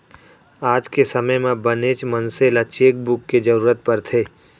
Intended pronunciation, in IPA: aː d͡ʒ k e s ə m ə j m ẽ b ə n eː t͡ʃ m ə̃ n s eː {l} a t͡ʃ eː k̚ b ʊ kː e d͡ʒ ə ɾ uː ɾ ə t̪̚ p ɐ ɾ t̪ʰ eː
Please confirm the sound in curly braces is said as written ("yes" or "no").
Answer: yes